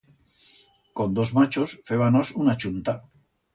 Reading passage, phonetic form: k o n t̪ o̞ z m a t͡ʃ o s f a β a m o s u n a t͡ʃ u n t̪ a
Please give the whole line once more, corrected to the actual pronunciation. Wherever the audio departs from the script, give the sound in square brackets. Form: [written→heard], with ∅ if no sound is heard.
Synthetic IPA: k o n [t̪→d̪] o̞ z m a t͡ʃ o s f [a→e] β a [m→n] o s u n a t͡ʃ u n t̪ a